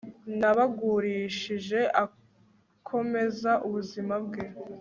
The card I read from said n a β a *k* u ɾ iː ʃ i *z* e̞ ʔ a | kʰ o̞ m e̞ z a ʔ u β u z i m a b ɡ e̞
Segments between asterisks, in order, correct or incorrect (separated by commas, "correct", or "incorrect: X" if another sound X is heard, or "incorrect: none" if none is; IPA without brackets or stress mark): incorrect: ɡ, incorrect: ʒ